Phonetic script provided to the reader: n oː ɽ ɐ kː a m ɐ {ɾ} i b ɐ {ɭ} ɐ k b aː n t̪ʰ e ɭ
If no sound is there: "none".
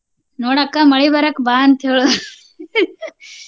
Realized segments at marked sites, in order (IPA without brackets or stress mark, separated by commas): ɭ, ɾ